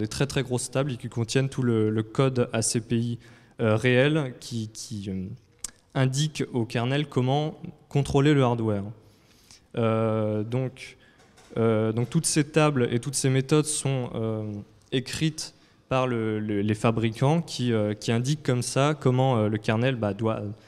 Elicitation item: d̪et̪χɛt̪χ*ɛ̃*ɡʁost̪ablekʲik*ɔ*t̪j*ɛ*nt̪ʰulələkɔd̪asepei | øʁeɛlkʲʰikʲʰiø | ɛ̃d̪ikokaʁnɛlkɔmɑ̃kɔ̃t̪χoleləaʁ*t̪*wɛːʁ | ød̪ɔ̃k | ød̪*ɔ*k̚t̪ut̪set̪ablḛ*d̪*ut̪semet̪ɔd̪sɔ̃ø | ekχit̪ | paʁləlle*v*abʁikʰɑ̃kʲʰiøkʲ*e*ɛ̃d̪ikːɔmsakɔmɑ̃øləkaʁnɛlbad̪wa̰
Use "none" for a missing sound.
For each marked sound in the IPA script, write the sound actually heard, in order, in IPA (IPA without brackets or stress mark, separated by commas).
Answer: ɛ, ɔ̃, ɛ, d̪, ɔ̃, t̪, f, i